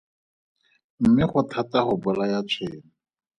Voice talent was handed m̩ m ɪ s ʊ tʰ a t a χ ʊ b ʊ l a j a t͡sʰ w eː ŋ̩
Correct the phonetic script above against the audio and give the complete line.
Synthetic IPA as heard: m̩ m ɪ χ ʊ tʰ a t a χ ʊ b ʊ l a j a t͡sʰ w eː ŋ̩